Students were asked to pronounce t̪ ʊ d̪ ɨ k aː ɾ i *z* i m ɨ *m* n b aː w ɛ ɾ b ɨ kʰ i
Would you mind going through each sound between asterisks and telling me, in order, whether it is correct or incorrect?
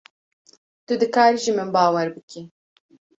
incorrect, incorrect

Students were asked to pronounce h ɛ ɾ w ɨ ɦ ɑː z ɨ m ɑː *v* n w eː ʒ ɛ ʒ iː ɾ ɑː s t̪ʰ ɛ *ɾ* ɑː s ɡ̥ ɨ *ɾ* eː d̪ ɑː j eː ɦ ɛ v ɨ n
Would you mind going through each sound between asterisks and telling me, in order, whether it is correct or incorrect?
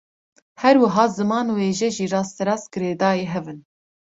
incorrect, correct, correct

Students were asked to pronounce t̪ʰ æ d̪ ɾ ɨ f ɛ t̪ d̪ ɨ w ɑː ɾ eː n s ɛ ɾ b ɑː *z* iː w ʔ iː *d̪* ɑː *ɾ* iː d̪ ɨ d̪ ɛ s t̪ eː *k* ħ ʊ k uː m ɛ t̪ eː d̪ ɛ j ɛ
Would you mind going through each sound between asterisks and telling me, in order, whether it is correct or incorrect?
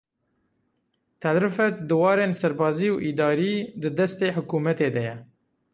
correct, correct, correct, incorrect

